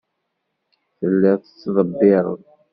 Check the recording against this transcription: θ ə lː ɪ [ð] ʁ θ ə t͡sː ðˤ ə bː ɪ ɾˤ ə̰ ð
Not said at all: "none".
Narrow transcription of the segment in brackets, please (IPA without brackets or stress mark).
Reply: none